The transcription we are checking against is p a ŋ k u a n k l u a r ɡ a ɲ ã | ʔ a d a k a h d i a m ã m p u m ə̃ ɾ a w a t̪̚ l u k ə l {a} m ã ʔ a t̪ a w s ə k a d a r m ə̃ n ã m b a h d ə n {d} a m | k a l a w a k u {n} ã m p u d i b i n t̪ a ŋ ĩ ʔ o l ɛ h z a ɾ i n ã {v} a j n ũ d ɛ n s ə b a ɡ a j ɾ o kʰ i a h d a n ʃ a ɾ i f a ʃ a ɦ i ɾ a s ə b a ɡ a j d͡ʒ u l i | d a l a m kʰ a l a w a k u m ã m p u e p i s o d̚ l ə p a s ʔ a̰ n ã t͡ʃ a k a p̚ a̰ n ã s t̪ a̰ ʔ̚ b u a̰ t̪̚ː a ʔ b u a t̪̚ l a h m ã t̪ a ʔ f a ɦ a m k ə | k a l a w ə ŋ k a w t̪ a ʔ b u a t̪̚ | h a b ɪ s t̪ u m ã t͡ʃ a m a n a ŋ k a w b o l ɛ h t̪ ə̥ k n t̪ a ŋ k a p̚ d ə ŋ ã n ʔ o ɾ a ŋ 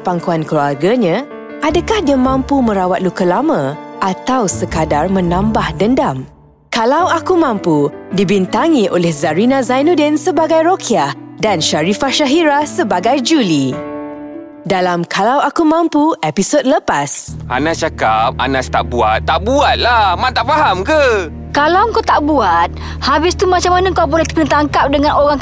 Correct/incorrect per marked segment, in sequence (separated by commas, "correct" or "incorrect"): correct, correct, incorrect, incorrect